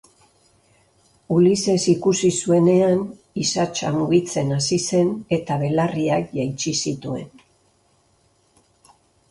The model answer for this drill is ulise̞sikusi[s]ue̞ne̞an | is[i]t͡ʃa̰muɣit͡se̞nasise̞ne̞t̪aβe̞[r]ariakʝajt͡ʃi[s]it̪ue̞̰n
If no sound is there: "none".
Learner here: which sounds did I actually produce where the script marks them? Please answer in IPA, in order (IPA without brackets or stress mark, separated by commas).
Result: s, a, l, s